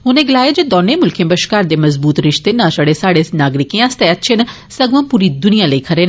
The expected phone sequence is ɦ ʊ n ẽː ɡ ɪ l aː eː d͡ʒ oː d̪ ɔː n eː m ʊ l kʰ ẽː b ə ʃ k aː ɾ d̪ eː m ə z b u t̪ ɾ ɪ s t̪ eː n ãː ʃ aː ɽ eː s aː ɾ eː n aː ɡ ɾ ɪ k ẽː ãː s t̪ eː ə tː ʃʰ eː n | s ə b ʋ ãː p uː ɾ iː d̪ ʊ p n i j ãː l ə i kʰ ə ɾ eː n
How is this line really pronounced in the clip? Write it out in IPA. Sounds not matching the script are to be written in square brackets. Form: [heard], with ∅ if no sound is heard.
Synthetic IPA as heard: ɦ ʊ n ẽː ɡ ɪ l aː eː d͡ʒ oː d̪ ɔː n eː m ʊ l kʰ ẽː b ə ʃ k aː ɾ d̪ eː m ə z b [uː] t̪ ɾ ɪ [ʃ] t̪ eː n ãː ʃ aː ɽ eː s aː [ɽ] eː n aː ɡ ɾ ɪ k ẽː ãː s t̪ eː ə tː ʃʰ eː n | s ə [ɡ] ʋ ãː p uː ɾ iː d̪ ʊ [∅] n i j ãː l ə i kʰ ə ɾ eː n